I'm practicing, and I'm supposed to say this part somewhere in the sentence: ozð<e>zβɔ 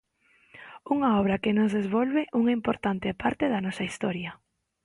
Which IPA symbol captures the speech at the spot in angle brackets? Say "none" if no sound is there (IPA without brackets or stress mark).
e